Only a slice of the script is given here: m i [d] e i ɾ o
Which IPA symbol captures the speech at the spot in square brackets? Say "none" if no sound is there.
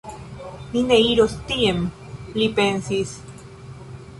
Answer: n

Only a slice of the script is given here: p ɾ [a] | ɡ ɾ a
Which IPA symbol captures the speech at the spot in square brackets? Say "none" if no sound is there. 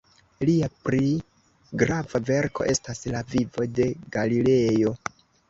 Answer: i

